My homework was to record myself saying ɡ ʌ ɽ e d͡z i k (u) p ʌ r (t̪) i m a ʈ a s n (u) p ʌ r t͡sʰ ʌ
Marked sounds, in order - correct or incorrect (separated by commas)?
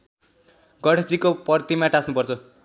incorrect, correct, correct